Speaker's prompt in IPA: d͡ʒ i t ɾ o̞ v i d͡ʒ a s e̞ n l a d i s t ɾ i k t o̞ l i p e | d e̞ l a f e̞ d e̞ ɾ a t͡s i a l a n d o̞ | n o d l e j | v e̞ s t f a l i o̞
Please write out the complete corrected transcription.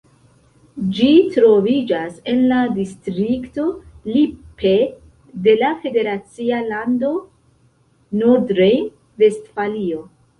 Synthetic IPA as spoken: d͡ʒ i t ɾ o̞ v i d͡ʒ a s e̞ n l a d i s t ɾ i k t o̞ l i p e | d e̞ l a f e̞ d e̞ ɾ a t͡s i a l a n d o̞ | n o d ɾ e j | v e̞ s t f a l i o̞